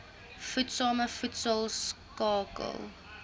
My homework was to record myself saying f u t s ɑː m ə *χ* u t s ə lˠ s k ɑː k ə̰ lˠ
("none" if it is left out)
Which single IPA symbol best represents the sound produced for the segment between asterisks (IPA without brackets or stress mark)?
f